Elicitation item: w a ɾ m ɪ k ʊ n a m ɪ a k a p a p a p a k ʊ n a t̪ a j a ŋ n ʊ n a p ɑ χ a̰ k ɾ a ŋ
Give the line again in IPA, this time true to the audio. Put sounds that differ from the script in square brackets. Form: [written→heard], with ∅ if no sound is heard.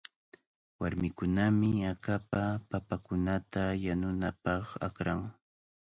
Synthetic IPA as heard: w a ɾ m ɪ k ʊ n a m ɪ a k a p a p a p a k ʊ n a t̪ a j a [ŋ→∅] n ʊ n a p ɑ χ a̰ k ɾ a ŋ